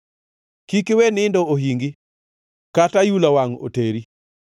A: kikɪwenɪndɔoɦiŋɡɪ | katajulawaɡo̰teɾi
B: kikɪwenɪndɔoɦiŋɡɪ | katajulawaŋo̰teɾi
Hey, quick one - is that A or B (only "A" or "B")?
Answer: B